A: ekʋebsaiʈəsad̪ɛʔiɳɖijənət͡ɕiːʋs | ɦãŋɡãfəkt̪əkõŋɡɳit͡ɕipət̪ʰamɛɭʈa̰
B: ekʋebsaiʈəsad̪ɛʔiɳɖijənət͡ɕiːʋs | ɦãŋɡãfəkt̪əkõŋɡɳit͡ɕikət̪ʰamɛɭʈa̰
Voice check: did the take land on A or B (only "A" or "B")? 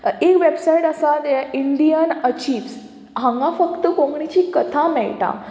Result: B